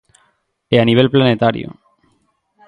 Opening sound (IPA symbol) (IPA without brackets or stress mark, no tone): e